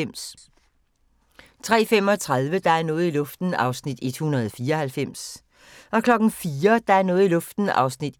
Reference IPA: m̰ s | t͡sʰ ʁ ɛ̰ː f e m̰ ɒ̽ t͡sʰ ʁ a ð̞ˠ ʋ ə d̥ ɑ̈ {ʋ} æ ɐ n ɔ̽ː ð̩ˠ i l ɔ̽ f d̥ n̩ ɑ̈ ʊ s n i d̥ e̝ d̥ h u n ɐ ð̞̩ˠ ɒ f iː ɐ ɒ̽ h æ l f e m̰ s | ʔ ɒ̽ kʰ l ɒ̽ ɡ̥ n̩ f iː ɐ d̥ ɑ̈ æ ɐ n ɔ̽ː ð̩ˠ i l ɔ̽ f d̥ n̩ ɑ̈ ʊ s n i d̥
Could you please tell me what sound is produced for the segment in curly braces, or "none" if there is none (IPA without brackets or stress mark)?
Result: none